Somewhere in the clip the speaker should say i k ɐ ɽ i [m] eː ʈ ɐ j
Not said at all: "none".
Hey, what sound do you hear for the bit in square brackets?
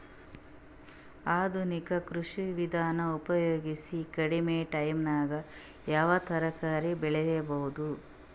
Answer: m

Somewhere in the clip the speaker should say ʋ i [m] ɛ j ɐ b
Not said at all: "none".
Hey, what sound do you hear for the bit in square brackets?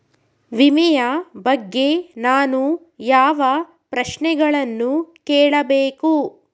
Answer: m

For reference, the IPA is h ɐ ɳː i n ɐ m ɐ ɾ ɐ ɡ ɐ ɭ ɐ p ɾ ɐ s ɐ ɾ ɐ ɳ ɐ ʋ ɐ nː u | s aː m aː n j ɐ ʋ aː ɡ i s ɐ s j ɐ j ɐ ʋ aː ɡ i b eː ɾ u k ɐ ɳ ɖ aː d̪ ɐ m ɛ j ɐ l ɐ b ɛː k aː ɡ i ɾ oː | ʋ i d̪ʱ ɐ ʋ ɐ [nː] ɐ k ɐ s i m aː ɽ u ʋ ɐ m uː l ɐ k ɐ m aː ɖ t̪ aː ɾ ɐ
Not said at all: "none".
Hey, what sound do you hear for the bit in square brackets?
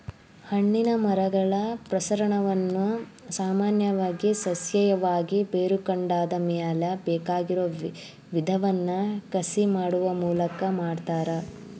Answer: nː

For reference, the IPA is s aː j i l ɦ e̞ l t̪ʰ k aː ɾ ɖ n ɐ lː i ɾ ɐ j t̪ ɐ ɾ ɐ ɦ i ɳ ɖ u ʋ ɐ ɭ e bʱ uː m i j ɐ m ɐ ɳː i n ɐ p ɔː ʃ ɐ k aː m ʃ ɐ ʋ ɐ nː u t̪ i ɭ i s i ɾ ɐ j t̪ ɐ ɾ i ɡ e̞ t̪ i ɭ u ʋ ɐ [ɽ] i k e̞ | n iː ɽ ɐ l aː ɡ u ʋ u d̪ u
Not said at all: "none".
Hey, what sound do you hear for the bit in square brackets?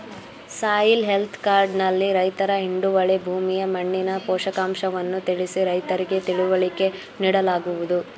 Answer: ɭ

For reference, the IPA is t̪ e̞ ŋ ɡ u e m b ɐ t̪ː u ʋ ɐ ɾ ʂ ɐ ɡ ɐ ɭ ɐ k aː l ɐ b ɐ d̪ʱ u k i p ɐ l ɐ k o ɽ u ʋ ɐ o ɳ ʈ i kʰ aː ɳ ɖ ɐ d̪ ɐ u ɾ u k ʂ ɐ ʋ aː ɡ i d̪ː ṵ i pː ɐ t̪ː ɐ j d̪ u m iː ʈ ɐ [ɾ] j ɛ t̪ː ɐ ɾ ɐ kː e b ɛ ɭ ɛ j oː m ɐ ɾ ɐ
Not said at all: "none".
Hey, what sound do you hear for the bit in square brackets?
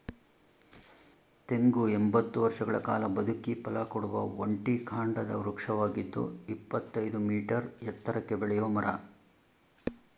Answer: ɾ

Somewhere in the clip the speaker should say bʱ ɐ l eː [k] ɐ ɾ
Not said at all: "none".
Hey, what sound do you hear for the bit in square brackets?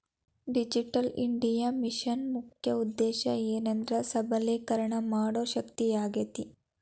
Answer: k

